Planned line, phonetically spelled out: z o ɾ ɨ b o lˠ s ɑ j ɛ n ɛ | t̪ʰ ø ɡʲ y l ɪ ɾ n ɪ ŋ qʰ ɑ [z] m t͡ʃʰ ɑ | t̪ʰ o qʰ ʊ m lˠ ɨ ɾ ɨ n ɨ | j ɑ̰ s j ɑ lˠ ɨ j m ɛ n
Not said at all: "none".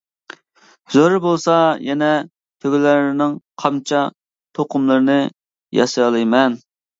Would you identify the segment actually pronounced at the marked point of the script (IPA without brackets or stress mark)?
none